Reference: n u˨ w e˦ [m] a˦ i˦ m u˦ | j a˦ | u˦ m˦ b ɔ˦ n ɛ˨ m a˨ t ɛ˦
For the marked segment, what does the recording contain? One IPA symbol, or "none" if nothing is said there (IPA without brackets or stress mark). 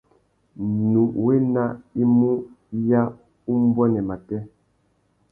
n